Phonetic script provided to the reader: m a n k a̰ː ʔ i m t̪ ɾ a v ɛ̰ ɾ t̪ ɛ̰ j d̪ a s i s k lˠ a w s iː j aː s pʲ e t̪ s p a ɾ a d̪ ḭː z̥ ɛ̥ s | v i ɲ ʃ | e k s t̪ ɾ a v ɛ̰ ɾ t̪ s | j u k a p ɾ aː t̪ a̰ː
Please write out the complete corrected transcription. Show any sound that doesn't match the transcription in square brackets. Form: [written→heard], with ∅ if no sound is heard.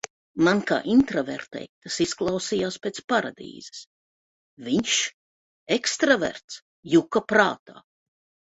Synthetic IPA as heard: m a n k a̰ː ʔ i [m→n] t̪ ɾ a v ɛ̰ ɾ t̪ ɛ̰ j [d̪→t̪] a s i s k lˠ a w s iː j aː s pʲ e t̪ s p a ɾ a d̪ ḭː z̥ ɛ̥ s | v i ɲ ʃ | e k s t̪ ɾ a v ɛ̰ ɾ t̪ s | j u k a p ɾ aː t̪ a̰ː

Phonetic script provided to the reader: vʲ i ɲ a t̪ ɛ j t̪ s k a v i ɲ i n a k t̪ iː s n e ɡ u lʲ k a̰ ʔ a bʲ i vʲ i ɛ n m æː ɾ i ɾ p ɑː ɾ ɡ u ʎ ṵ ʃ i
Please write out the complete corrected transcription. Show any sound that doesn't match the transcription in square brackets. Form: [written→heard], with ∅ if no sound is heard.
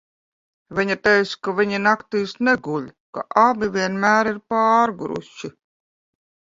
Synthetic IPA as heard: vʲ i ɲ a t̪ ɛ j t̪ s k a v i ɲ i n a k t̪ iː s n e ɡ u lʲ k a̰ ʔ a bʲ i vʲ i ɛ n m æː ɾ i ɾ p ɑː ɾ ɡ u [ʎ→ɾ] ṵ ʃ i

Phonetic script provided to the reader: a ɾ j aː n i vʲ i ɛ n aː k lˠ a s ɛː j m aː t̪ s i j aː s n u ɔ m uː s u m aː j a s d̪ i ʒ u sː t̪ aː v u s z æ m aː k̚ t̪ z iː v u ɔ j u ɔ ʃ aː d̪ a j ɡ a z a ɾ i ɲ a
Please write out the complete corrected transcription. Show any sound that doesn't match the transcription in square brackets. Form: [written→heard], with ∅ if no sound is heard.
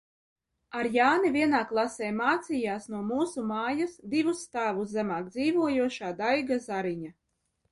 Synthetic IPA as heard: a ɾ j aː n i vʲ i ɛ n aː k lˠ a s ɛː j m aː t̪ s i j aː s n u ɔ m uː s u m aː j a s d̪ i [ʒ→v] u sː t̪ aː v u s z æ m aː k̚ [t̪→d̪] z iː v u ɔ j u ɔ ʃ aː d̪ a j ɡ a z a ɾ i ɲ a

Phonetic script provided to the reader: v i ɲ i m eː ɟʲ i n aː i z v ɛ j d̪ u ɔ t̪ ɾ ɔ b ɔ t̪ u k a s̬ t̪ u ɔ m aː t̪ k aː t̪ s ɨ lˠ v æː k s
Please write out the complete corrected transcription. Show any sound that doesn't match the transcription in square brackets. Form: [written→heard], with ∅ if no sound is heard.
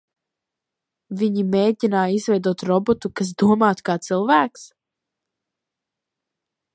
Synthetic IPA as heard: v i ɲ i m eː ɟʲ i n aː i z v ɛ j d̪ u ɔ t̪ ɾ ɔ b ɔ t̪ u k a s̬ [t̪→d̪] u ɔ m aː t̪ k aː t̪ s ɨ lˠ v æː k s

